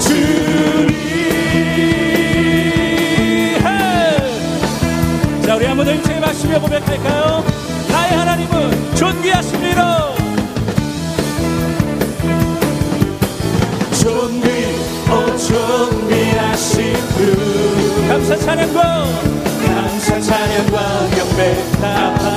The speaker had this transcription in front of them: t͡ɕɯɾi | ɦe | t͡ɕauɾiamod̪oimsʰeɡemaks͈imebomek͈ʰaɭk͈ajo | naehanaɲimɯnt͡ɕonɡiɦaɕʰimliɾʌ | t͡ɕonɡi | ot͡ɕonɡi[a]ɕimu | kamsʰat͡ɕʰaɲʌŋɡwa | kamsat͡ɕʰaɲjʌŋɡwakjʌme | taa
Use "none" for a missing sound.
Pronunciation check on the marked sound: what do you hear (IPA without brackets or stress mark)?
a